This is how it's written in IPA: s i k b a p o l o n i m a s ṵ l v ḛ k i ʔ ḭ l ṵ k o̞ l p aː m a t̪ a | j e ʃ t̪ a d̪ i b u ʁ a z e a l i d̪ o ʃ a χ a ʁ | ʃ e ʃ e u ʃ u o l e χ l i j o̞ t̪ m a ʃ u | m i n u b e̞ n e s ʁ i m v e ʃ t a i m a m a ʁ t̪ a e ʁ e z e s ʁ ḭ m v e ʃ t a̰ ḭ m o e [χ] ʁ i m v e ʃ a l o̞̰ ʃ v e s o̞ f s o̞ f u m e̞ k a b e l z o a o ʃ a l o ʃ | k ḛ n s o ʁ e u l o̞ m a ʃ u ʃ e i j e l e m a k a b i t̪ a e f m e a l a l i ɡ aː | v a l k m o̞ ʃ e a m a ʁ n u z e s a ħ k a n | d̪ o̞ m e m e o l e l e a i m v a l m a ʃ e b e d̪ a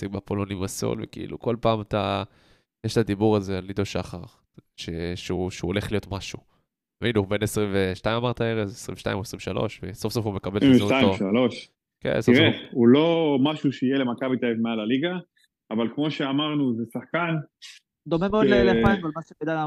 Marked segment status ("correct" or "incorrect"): incorrect